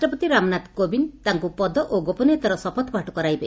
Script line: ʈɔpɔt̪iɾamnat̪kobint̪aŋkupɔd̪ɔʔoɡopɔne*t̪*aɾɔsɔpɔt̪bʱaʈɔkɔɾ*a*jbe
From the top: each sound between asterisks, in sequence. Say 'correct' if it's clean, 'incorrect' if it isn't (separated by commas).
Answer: correct, correct